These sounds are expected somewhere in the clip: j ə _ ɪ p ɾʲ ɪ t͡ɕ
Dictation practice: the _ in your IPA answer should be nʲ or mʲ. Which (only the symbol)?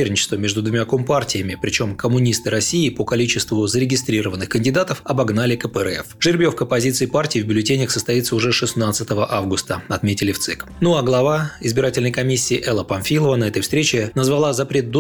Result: mʲ